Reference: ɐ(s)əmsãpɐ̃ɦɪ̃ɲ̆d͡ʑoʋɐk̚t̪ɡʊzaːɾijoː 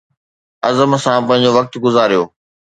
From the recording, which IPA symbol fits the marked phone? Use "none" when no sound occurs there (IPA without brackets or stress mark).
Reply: z